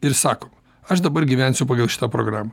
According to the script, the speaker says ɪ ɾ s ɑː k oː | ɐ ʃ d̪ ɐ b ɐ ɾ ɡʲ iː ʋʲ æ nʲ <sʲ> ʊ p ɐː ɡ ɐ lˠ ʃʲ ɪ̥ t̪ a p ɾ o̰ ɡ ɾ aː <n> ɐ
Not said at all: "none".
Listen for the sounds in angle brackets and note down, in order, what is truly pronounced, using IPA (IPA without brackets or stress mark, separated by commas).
sʲ, m